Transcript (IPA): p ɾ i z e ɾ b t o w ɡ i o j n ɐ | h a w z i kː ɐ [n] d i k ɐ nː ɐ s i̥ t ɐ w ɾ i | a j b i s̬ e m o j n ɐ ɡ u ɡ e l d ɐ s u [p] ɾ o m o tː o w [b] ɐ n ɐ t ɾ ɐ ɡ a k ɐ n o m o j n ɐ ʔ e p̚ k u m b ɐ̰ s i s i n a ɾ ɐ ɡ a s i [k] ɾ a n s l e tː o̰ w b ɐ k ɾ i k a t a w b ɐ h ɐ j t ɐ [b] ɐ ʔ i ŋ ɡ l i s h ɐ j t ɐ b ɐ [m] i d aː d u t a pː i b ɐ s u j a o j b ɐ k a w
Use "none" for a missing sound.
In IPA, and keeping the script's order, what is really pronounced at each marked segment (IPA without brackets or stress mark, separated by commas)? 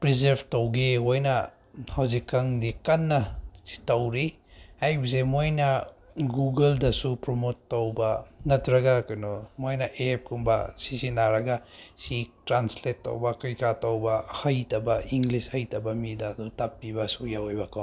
ŋ, p, b, t, b, m